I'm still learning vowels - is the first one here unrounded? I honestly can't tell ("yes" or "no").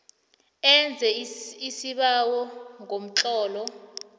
yes